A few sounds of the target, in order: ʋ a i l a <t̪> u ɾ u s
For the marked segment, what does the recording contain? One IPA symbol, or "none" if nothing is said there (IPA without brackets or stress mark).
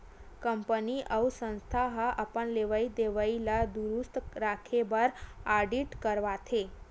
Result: d̪